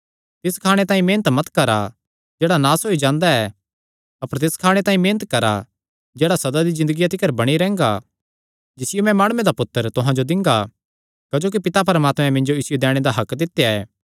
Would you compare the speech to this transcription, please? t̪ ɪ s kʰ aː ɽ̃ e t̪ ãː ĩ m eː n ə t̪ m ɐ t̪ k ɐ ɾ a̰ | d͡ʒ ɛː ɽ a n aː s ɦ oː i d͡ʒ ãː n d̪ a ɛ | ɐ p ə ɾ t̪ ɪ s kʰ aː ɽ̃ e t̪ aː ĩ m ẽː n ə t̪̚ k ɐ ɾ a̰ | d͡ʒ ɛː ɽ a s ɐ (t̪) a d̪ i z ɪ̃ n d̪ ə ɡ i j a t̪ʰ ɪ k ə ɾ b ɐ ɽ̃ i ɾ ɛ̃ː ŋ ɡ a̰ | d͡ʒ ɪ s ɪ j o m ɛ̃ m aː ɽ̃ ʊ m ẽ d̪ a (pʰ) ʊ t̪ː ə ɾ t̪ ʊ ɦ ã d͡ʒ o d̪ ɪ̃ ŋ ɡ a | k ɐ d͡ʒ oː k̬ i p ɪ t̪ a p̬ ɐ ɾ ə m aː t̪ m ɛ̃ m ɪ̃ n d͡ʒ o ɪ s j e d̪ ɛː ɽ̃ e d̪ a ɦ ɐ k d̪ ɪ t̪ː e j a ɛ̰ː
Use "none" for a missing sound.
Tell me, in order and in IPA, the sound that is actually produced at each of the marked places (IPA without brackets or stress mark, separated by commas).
d̪, p